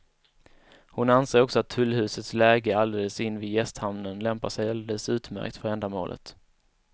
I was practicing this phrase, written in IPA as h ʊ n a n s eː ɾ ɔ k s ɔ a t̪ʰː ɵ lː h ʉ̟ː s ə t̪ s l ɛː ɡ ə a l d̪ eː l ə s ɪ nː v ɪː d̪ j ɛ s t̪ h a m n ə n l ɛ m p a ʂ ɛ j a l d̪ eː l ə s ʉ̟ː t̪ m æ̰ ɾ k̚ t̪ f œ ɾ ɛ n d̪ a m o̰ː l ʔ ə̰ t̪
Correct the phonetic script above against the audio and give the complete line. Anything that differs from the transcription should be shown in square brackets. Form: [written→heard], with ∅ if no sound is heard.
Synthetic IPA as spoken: h ʊ n a n s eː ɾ ɔ k s ɔ a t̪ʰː ɵ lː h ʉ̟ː s ə t̪ s l ɛː ɡ ə a l d̪ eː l ə s ɪ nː v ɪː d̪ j ɛ s t̪ h a m n ə n l ɛ m p a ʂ ɛ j a l d̪ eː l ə s ʉ̟ː t̪ m æ̰ ɾ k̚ t̪ f œ ɾ ɛ n d̪ a m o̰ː l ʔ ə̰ t̪